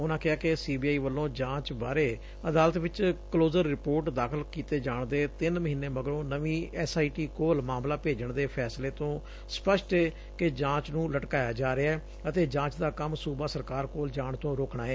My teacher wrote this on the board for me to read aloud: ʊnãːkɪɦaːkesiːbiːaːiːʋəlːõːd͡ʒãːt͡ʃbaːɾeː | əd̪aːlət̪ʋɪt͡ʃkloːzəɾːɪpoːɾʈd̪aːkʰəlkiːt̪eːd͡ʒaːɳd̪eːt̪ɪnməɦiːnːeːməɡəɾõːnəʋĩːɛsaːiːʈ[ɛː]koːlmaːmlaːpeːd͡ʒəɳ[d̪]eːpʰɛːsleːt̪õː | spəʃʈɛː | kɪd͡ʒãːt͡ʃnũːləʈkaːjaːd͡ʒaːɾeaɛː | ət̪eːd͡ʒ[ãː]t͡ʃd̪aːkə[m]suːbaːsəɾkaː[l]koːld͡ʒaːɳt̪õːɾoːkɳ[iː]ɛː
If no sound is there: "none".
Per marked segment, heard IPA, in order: iː, d̪, ãː, m, ɾ, aː

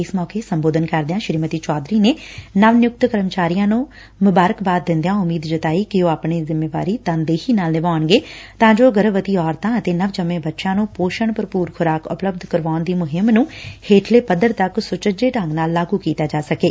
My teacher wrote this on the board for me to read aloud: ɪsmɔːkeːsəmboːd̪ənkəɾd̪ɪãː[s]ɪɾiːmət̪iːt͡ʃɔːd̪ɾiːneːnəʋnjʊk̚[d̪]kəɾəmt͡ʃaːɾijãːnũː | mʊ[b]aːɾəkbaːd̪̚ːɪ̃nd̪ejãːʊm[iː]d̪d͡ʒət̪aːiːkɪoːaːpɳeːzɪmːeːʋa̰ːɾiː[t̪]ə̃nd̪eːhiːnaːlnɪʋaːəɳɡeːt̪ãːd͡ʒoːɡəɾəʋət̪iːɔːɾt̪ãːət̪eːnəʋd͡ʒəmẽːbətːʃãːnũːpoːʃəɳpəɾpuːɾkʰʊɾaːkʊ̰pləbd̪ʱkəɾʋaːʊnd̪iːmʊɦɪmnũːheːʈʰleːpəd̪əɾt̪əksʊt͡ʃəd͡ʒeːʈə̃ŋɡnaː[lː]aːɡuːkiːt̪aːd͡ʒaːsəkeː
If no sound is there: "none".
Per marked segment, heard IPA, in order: ʃ, t̪, b, iː, t̪, lː

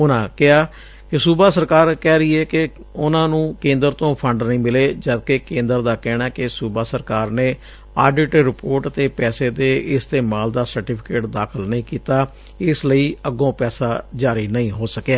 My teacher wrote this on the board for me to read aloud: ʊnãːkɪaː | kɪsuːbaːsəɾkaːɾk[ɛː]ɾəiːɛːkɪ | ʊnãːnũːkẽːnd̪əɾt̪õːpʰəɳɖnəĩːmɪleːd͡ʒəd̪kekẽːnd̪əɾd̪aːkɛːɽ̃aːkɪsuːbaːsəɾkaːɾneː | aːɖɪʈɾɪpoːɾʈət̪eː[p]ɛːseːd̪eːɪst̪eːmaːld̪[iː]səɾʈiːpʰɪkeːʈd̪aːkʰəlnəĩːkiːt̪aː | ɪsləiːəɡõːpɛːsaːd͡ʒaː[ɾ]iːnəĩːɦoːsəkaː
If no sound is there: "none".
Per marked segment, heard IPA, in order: ɛː, p, aː, ɾ

